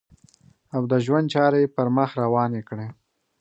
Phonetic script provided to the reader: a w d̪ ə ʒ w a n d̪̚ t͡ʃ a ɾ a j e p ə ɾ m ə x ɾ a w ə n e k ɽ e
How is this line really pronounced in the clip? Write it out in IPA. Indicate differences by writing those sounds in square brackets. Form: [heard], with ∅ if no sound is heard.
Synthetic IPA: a w d̪ ə ʒ w a n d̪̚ t͡ʃ [ɑ] ɾ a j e p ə ɾ m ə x ɾ a w [ɑ] n e k ɽ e